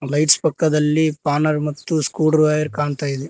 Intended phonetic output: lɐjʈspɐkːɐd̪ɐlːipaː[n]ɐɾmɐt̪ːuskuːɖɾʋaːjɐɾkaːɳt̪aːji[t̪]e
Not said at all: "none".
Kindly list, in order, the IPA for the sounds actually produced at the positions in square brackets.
n, d̪

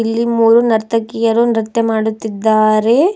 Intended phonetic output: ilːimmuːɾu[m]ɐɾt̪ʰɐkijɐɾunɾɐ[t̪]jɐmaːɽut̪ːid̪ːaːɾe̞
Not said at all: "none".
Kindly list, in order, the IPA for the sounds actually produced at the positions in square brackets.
n, t̪

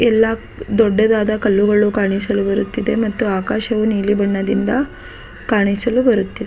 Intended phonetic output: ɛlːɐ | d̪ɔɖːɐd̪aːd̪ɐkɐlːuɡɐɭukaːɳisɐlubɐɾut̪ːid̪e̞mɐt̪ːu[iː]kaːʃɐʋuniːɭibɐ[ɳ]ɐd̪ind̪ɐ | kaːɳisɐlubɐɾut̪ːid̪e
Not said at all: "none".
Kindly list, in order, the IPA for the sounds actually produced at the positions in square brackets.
aː, ɳː

